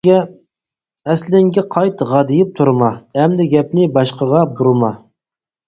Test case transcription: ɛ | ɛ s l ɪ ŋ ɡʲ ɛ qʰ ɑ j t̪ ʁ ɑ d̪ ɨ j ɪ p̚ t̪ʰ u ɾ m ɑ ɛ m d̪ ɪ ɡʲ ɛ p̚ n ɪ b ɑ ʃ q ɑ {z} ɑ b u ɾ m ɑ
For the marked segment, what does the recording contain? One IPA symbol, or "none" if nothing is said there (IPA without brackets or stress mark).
ʁ